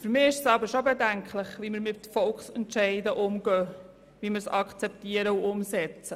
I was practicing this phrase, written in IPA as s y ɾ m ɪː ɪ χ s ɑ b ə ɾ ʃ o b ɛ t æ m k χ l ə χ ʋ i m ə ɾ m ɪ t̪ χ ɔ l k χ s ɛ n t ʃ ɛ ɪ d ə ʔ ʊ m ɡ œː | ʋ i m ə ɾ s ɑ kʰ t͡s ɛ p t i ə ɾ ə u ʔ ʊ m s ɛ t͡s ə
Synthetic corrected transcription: f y ɾ m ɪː ɪ ʃ s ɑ b ə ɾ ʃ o b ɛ d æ ŋ k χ l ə χ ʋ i m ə ɾ m ɪ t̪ f ɔ l k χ s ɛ n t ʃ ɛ ɪ d ə ʔ ʊ m ɡ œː | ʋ i m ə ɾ s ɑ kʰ t͡s ɛ p t i ə ɾ ə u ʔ ʊ m s ɛ t͡s ə